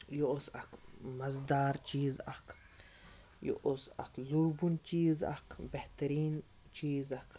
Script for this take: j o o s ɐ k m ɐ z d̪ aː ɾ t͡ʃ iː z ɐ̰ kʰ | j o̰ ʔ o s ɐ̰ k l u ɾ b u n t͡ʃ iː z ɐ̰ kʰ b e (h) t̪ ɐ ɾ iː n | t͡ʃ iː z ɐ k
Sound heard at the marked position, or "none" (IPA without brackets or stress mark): h